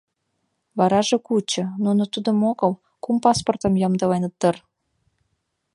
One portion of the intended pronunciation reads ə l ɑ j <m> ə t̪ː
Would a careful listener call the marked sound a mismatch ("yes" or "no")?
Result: yes